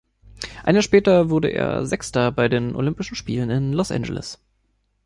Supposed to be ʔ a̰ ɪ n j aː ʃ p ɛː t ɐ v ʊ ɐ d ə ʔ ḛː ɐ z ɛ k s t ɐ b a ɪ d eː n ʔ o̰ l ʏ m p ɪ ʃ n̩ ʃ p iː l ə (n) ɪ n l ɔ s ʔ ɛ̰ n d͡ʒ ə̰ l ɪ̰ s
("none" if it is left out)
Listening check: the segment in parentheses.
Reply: n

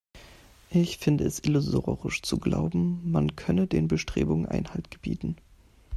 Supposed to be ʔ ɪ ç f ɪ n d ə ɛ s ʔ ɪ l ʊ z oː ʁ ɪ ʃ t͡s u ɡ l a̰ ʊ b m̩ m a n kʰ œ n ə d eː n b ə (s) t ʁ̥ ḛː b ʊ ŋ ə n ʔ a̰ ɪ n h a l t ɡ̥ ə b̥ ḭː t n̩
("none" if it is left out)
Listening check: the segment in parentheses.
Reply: ʃ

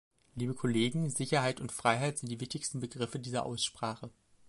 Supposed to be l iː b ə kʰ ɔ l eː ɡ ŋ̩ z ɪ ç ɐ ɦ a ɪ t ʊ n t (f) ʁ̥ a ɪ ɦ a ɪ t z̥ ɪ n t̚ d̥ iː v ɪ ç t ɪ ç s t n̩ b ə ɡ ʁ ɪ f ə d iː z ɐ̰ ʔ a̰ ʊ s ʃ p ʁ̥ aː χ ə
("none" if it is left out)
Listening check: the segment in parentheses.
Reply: f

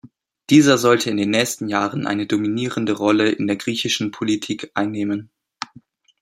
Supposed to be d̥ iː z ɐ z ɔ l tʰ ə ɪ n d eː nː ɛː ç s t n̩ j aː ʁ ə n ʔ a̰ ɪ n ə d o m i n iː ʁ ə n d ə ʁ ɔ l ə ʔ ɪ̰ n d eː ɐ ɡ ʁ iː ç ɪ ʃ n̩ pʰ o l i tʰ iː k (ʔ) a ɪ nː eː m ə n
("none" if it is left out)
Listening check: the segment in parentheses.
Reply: ʔ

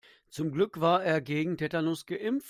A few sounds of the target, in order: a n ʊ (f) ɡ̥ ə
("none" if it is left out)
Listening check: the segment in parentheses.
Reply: s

